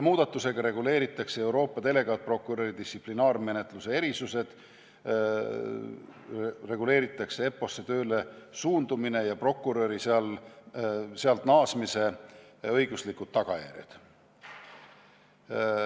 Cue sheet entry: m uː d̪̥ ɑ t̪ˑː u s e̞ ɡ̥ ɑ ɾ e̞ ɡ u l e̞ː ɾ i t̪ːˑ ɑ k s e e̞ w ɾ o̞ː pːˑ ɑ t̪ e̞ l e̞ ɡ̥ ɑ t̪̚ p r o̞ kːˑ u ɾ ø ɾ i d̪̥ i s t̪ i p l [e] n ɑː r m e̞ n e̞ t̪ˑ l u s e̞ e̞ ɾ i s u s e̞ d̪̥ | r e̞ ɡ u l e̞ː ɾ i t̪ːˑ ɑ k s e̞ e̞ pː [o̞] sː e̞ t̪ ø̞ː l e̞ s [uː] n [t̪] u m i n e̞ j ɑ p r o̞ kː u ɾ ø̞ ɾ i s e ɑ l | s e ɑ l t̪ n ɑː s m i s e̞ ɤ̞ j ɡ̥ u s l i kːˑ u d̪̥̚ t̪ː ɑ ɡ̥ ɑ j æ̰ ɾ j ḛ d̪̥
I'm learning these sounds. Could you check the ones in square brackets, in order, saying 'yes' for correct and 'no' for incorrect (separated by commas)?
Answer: no, yes, yes, no